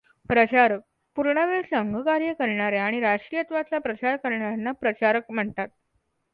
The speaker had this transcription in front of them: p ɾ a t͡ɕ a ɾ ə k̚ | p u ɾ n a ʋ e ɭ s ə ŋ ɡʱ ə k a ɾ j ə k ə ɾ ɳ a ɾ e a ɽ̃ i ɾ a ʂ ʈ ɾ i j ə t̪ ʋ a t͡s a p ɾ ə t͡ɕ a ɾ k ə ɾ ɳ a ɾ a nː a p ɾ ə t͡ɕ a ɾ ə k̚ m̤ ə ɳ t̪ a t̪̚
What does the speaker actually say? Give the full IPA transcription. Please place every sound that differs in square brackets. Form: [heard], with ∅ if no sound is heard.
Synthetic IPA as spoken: p ɾ [ə] t͡ɕ a ɾ ə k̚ | p u ɾ [ɳ] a ʋ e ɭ s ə ŋ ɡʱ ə k a ɾ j ə k ə ɾ ɳ a ɾ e a ɽ̃ i ɾ a ʂ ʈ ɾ i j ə t̪ ʋ a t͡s a p ɾ ə t͡ɕ a ɾ k ə ɾ ɳ a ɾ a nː a p ɾ ə t͡ɕ a ɾ ə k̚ m̤ ə ɳ t̪ a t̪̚